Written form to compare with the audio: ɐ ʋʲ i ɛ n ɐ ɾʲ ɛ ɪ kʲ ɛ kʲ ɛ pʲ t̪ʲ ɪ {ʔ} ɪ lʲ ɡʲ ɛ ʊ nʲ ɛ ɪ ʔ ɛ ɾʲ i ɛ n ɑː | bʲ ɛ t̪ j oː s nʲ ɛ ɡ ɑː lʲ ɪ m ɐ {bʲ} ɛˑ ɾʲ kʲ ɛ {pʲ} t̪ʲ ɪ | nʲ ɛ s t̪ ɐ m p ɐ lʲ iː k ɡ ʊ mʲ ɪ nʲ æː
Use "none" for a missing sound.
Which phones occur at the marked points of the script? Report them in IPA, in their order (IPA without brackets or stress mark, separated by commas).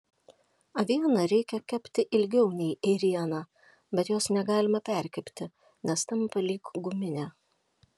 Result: ʔ, pʲ, pʲ